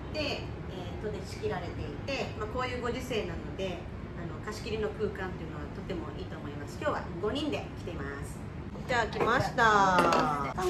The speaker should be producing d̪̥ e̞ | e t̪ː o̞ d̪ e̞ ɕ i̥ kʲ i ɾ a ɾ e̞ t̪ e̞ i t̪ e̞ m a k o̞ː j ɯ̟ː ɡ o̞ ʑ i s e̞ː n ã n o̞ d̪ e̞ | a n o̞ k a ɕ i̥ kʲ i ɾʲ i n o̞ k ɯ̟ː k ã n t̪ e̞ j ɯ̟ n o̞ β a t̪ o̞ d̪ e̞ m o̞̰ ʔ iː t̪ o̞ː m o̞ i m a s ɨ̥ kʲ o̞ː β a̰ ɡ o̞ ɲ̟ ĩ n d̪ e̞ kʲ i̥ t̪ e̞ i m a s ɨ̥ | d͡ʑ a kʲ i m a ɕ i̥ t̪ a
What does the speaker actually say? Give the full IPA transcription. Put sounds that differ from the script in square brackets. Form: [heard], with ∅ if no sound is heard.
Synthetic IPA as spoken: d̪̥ e̞ | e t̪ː o̞ d̪ e̞ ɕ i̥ kʲ i ɾ a ɾ e̞ t̪ e̞ i t̪ e̞ m a k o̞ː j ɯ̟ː ɡ o̞ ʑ i s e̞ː n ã n o̞ d̪ e̞ | a n o̞ k a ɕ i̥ kʲ i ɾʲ i n o̞ k ɯ̟ː k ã n t̪ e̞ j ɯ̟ n o̞ β a t̪ o̞ [t̪] e̞ m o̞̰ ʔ iː t̪ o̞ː m o̞ i m a s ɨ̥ kʲ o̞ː β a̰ ɡ o̞ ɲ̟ ĩ n d̪ e̞ kʲ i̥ t̪ e̞ i m a s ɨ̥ | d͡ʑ a kʲ i m a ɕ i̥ t̪ a